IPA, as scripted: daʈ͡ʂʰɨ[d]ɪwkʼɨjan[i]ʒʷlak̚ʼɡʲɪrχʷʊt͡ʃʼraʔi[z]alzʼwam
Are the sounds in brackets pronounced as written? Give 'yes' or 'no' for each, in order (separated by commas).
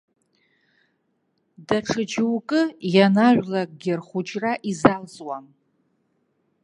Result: no, no, yes